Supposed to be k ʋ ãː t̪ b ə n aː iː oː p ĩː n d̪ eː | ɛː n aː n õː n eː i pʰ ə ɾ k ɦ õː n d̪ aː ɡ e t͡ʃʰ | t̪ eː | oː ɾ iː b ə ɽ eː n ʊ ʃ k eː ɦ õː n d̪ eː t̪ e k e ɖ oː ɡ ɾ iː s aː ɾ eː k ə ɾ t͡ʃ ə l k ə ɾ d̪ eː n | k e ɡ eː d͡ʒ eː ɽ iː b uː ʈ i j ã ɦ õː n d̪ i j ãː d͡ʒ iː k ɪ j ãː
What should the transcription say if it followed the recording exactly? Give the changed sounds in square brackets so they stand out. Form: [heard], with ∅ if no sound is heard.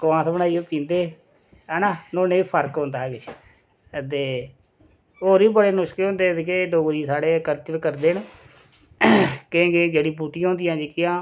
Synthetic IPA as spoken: k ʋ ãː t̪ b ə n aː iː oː p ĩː n d̪ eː | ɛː n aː n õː n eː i pʰ ə ɾ k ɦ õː n d̪ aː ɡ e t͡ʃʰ | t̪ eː | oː ɾ iː b ə ɽ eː n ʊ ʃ k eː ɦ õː n d̪ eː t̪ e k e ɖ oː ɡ ɾ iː s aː [ɽ] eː k ə ɾ t͡ʃ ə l k ə ɾ d̪ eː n | k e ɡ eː d͡ʒ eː ɽ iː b uː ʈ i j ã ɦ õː n d̪ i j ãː d͡ʒ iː k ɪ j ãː